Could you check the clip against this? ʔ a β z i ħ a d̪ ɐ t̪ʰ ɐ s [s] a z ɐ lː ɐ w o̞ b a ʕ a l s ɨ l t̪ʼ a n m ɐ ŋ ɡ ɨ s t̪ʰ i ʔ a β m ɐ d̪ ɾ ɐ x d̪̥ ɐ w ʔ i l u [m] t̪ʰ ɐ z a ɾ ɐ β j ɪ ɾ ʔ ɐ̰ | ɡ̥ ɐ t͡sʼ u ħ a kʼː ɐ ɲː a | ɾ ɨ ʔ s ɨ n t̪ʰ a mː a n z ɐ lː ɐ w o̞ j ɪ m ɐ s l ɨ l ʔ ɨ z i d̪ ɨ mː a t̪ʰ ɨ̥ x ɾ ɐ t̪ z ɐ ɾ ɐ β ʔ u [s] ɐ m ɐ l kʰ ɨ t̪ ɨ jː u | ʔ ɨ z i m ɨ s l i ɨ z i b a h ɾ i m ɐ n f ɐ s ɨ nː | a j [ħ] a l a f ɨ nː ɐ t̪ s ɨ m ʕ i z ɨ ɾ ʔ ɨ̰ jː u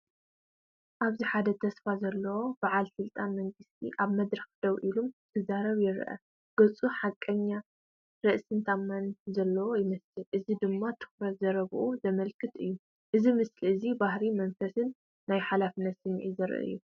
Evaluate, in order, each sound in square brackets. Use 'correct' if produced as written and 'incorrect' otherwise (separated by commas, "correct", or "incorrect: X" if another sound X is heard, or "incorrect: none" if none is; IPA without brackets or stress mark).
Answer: incorrect: f, correct, incorrect: z, correct